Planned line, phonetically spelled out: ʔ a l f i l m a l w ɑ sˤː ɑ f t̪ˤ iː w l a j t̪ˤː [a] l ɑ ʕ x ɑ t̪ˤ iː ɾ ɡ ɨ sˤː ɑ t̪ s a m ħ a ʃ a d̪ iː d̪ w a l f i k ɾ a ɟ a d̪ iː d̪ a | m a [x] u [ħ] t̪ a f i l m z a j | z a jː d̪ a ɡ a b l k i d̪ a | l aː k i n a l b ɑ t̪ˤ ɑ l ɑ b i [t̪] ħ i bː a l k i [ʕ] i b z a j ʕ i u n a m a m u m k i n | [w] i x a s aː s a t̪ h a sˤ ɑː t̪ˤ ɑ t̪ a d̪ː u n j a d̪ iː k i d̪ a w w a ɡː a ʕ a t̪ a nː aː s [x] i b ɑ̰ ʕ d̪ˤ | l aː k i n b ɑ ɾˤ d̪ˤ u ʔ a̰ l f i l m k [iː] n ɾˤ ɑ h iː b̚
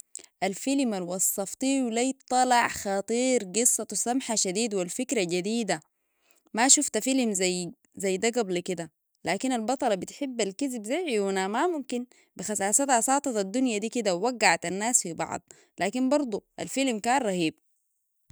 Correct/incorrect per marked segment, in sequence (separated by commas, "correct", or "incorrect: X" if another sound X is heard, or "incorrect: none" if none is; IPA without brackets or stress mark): incorrect: ɑ, incorrect: ʃ, incorrect: f, correct, incorrect: z, incorrect: b, incorrect: f, incorrect: aː